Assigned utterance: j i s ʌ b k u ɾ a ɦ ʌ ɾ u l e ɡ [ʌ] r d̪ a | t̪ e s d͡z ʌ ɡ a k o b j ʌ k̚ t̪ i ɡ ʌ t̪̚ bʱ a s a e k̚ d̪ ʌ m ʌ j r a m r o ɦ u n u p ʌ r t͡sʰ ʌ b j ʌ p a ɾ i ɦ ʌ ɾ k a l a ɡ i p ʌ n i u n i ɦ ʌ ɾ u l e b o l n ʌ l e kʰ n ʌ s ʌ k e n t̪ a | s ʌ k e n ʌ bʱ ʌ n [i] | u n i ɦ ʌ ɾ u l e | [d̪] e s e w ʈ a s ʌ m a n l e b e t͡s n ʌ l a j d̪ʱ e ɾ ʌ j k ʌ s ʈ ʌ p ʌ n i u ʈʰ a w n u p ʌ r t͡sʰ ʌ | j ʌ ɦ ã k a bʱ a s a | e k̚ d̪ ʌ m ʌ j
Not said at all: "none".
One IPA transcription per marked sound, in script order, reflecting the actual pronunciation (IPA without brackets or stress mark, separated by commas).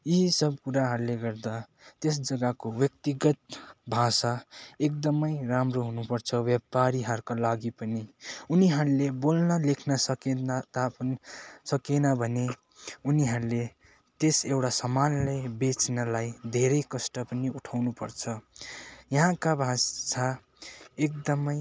ʌ, e, t̪